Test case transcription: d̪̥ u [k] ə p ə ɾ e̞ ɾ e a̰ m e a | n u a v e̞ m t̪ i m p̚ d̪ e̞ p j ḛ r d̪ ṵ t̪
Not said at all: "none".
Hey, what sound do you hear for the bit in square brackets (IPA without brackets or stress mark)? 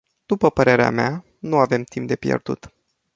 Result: p